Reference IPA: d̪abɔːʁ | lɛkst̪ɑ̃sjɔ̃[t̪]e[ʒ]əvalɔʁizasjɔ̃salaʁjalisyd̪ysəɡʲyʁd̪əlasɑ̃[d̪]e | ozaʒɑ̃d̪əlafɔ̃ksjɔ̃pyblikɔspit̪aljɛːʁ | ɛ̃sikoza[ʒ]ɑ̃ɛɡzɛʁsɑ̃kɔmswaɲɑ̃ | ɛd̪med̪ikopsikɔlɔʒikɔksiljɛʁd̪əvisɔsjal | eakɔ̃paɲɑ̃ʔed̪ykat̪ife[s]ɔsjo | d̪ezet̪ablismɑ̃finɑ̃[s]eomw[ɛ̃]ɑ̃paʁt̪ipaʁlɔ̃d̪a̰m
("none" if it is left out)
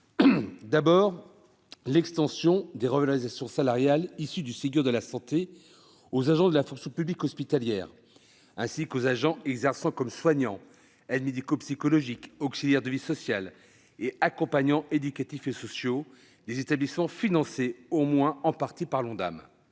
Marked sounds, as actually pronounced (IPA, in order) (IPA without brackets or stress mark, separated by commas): d̪, ʁ, t̪, ʒ, s, s, ɛ̃